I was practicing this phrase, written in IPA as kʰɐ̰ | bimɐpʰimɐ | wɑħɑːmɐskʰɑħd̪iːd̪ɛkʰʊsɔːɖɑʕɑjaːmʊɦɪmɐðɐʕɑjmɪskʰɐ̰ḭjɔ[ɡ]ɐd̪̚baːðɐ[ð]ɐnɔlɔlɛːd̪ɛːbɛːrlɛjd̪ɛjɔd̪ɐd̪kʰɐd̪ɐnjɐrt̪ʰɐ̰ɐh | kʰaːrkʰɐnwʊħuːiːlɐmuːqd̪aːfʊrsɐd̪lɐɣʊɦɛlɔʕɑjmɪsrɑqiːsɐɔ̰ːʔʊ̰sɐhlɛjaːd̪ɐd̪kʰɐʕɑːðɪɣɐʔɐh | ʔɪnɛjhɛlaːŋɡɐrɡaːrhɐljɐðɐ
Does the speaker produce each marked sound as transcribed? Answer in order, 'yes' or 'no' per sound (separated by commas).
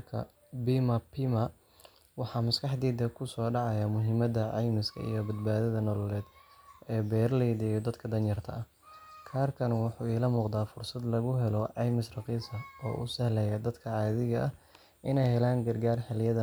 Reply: no, yes